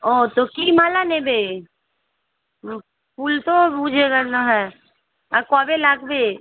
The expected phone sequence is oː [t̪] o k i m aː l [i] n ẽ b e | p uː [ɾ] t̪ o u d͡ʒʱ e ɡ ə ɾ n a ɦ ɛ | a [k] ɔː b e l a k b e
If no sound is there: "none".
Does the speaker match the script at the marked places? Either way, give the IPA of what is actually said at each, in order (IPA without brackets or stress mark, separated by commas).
t̪, a, l, k